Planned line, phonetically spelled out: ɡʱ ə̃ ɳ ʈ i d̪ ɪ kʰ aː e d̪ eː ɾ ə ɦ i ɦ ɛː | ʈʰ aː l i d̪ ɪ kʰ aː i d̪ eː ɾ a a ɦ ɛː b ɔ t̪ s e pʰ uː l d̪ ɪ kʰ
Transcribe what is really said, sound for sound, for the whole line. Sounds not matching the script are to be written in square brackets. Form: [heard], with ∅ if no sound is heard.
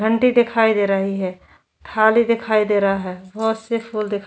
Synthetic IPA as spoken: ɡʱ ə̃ ɳ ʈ i d̪ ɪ kʰ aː [i] d̪ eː ɾ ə ɦ i ɦ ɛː | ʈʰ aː l i d̪ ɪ kʰ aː i d̪ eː ɾ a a ɦ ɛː b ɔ t̪ s e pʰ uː l d̪ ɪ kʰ